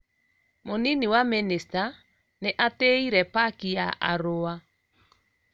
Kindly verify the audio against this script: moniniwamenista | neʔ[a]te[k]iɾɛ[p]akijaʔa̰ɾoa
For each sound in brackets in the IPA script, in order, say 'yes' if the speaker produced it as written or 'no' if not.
yes, no, yes

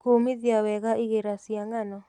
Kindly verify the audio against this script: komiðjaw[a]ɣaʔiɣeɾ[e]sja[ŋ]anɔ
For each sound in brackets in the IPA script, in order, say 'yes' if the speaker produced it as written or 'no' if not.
no, no, yes

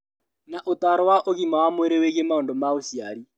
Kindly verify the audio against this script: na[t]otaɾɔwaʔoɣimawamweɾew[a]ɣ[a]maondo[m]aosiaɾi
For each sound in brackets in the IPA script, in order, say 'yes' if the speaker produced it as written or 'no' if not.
no, no, no, yes

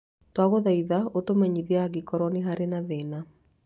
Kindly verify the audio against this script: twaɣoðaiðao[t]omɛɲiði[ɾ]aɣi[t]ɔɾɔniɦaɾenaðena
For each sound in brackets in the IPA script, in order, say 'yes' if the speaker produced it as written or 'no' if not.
yes, no, no

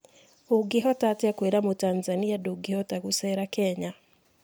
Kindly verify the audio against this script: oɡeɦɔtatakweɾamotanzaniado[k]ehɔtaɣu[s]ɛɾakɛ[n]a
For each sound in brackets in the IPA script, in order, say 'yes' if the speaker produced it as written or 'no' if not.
no, yes, no

